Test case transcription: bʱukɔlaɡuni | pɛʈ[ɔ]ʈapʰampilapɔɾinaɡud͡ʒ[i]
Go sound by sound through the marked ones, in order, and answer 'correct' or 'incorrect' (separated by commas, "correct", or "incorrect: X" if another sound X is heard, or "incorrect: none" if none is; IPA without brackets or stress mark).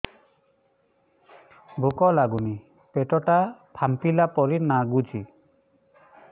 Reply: correct, correct